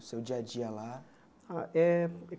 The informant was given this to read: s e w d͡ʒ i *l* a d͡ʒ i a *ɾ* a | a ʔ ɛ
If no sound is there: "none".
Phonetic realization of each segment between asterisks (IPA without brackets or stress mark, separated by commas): none, l